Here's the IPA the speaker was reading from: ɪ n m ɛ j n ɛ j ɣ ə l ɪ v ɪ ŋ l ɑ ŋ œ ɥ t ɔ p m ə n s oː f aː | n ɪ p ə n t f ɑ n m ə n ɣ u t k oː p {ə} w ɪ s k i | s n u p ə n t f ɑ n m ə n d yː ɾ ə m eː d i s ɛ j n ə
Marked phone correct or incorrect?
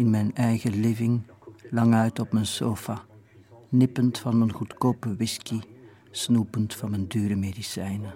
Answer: correct